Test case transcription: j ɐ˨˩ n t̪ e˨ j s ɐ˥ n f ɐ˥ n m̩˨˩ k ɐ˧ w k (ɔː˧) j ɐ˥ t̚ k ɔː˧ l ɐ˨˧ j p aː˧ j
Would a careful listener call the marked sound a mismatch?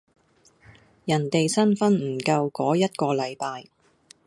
yes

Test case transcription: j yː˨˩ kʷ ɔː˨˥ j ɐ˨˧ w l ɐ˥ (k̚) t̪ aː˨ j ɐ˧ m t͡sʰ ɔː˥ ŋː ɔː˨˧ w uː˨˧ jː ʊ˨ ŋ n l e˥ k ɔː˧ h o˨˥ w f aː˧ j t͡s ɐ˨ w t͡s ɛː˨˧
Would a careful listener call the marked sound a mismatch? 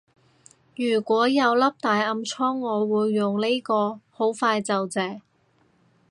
yes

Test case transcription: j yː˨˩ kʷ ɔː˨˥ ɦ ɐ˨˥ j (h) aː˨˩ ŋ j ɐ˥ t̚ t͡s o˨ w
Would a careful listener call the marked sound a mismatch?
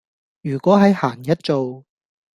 no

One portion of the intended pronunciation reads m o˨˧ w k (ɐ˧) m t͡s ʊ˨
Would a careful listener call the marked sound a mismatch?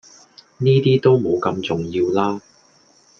no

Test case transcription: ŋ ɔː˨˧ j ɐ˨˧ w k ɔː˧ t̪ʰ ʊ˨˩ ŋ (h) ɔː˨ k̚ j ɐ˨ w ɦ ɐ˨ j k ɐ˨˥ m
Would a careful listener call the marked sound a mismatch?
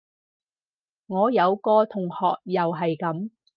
no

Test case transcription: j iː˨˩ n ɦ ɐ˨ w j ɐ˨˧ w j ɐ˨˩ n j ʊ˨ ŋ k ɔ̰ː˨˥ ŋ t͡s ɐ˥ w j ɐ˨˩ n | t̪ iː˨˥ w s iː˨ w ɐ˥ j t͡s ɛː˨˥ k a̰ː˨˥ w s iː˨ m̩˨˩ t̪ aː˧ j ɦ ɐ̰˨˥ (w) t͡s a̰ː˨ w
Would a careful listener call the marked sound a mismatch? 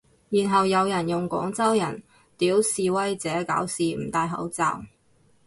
no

